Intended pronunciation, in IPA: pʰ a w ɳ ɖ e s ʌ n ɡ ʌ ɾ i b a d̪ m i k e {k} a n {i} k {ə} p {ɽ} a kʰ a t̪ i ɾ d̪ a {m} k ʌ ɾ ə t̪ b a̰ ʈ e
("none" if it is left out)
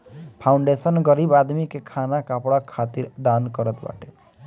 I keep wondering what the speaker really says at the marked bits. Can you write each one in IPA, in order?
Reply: kʰ, a, a, ɽ, n

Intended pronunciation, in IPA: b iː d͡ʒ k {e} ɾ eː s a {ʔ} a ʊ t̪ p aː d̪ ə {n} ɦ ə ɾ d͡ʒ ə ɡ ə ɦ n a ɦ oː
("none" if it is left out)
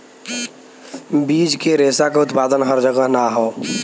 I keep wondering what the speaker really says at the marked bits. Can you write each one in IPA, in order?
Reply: e, k, n

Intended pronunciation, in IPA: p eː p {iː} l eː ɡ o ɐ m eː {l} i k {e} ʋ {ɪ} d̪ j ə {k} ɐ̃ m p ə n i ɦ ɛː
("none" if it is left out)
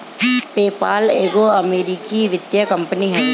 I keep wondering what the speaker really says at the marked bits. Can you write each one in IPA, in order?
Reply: aː, ɾ, i, ɪ, k

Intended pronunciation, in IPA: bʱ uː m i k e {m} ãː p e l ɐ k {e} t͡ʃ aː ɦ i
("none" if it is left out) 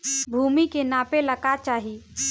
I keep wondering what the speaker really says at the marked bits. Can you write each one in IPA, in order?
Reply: n, a

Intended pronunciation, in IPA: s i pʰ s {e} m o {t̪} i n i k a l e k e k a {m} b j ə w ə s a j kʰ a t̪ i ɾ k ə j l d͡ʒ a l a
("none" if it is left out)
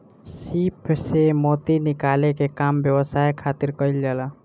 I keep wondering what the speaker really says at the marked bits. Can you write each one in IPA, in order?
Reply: e, t̪, m

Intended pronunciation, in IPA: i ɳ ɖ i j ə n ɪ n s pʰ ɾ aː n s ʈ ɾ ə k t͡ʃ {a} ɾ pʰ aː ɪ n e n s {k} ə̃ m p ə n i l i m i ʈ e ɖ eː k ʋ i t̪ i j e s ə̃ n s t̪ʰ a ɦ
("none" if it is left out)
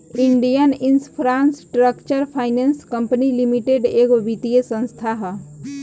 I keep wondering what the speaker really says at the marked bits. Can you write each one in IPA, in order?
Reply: ə, k

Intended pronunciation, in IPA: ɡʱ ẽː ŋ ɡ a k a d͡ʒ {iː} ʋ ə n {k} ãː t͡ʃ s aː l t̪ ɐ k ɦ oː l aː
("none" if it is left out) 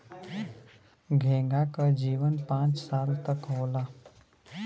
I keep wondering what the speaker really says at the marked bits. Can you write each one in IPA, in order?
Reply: iː, p

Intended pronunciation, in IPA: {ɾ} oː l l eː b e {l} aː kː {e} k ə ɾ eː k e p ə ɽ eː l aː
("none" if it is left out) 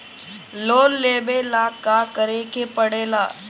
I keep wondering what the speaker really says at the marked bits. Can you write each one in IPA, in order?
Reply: l, l, a

